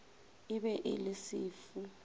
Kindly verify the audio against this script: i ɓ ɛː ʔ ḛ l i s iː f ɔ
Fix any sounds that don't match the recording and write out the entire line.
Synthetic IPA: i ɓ ɛ ʔ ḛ l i s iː f u